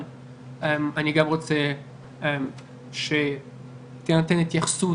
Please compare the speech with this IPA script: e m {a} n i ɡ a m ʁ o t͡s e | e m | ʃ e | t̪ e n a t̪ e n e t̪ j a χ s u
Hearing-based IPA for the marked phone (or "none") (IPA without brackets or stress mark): a